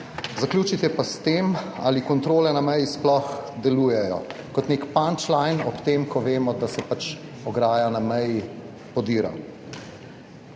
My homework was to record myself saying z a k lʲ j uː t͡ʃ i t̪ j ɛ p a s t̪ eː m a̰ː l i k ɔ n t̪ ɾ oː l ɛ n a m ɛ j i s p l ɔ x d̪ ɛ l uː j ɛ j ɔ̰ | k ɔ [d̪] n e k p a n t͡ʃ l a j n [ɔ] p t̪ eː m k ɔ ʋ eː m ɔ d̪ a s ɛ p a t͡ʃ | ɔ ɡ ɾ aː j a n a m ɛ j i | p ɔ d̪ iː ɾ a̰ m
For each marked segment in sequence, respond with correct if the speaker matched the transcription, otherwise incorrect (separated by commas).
incorrect, correct